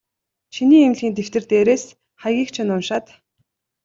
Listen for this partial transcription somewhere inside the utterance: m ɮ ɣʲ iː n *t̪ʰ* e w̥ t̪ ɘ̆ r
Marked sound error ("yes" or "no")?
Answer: yes